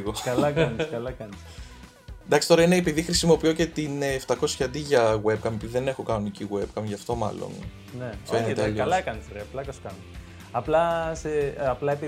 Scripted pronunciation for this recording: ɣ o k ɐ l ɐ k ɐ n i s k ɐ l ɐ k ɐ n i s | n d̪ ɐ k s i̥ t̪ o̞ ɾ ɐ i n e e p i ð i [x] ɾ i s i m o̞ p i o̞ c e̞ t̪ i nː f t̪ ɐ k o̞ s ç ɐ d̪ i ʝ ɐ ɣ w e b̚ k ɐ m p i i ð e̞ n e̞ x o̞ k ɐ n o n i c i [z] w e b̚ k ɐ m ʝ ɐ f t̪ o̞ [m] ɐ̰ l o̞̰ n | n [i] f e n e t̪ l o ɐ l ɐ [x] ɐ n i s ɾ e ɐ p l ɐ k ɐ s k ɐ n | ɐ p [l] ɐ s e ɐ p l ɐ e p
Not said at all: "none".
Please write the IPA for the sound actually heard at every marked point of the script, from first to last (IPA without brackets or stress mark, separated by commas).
x, ɣ, m, e, k, l